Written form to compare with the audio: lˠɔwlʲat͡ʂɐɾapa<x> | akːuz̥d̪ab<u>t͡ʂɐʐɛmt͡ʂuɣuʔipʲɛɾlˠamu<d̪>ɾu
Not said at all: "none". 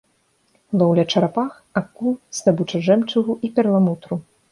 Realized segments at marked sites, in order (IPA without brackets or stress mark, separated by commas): x, u, t̪